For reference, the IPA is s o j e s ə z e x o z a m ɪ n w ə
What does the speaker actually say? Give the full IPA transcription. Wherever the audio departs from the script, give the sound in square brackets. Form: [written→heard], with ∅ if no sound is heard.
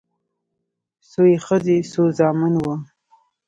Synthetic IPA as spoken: s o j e [s→x] ə z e [x→s] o z [a→ɑ] m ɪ n w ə